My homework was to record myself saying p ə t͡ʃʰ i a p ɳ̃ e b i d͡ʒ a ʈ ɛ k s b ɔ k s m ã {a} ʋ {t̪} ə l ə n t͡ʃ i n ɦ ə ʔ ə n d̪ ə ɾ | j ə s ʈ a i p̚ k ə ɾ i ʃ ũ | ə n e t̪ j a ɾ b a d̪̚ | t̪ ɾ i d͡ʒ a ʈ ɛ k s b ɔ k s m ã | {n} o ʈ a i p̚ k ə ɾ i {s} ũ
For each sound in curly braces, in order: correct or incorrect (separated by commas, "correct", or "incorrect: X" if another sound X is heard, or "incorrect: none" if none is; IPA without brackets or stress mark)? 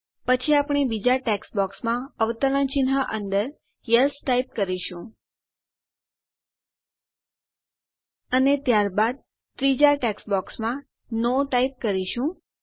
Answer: incorrect: ə, correct, correct, incorrect: ʃ